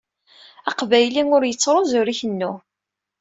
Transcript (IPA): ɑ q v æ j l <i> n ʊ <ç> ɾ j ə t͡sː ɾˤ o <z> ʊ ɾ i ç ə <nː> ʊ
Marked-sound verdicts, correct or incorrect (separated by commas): correct, incorrect, correct, correct